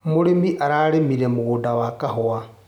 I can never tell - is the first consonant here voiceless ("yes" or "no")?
no